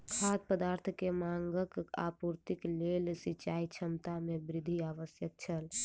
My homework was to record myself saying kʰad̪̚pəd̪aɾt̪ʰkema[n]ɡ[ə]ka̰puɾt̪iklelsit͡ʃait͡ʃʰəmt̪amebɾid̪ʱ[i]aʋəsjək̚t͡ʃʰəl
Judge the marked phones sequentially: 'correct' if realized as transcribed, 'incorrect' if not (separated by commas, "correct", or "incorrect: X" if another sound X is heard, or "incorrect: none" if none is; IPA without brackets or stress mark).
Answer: incorrect: ŋ, correct, correct